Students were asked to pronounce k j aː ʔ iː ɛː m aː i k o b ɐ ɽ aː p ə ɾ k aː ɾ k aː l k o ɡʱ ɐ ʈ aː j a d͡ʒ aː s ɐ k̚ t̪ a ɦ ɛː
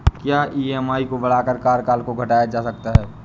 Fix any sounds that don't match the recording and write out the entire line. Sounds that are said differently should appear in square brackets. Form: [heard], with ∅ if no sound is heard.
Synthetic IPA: k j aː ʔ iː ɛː m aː i k o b ɐ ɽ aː [k] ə ɾ k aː ɾ k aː l k o ɡʱ ɐ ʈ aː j a d͡ʒ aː s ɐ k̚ t̪ a ɦ ɛː